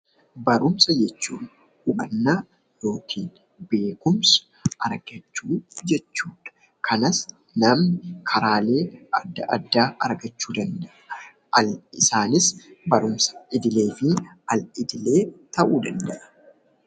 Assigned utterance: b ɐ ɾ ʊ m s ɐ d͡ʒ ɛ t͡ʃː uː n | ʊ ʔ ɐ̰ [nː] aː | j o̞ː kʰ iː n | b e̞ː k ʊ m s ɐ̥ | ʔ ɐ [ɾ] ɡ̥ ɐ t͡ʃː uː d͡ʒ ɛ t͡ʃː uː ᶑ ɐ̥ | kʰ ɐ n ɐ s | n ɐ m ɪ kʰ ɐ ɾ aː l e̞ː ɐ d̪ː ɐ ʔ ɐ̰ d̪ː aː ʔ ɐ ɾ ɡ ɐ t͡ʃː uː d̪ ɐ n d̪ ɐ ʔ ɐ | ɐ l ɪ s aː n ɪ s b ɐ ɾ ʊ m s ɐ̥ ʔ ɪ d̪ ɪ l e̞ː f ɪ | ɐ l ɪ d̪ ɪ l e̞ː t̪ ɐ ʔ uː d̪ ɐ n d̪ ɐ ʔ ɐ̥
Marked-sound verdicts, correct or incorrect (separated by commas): correct, correct